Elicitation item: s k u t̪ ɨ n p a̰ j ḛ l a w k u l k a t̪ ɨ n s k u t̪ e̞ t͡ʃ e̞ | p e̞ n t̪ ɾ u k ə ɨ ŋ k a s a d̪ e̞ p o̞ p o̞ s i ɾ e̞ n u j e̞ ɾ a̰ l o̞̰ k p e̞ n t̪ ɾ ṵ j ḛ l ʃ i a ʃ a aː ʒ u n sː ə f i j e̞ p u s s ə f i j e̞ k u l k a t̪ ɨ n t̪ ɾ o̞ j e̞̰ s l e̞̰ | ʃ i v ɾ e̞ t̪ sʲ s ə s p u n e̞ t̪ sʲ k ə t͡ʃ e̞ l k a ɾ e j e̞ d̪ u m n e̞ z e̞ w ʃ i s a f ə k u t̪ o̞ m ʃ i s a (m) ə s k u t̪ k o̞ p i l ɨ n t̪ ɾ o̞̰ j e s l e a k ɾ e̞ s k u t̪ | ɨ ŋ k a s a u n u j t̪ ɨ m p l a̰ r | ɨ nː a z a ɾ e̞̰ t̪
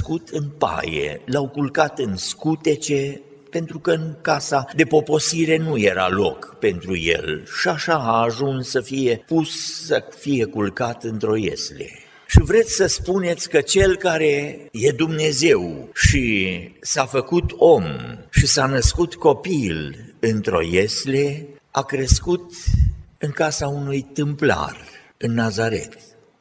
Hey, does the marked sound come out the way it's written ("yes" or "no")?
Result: no